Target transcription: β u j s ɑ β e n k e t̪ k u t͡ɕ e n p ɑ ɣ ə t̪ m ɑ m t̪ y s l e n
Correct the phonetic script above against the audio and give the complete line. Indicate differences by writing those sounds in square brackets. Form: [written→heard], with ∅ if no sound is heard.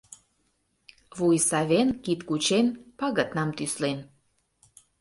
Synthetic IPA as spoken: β u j s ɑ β e n k [e→i] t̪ k u t͡ɕ e n p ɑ ɣ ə t̪ [m→n] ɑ m t̪ y s l e n